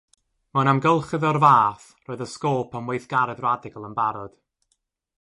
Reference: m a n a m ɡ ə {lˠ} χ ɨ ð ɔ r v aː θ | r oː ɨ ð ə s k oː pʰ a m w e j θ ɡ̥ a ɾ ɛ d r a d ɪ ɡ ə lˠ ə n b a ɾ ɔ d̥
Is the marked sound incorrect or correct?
correct